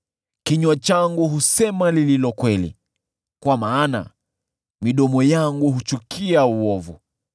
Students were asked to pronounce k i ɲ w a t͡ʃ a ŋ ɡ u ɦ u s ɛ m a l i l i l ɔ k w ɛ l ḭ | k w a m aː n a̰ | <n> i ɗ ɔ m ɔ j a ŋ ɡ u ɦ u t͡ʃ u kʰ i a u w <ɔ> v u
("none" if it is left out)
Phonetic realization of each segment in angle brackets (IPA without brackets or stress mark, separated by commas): m, ɔ